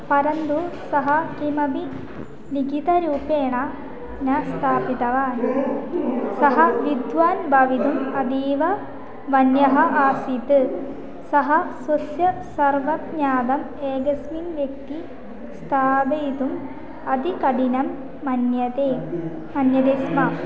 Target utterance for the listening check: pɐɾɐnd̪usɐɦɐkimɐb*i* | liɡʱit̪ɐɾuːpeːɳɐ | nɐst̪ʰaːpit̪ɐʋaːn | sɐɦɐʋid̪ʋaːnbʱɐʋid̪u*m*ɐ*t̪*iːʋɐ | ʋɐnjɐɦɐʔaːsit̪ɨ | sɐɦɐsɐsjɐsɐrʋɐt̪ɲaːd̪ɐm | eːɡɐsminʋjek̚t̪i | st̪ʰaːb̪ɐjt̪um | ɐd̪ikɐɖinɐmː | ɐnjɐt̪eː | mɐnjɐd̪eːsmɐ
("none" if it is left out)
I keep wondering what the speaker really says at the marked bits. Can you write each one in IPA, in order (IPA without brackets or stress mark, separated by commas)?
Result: i, m, d̪